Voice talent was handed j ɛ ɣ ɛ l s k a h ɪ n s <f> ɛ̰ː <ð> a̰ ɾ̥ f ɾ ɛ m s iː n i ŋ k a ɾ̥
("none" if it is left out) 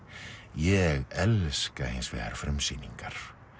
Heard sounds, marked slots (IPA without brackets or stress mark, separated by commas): v, ɣ